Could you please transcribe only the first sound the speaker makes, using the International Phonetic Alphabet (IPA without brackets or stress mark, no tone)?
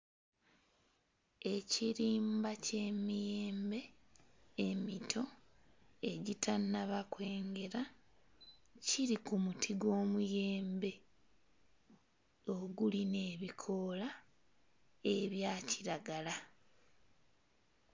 e̞